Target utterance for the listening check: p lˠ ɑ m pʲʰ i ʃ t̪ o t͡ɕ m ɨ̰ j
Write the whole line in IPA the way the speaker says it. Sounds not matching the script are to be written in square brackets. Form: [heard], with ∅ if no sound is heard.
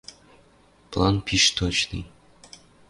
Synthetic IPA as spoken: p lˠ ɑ [n] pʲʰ i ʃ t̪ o t͡ɕ [n] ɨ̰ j